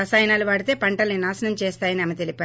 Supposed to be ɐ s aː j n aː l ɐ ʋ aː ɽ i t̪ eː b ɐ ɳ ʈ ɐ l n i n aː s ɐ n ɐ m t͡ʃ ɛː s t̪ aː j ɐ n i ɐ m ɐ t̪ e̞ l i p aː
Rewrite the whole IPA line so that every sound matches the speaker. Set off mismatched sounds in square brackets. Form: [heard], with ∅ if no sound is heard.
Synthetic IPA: ɐ s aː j n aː l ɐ ʋ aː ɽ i t̪ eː [p] ɐ ɳ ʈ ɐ l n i n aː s ɐ n ɐ m t͡ʃ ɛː s t̪ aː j ɐ n i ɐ m ɐ t̪ e̞ l i p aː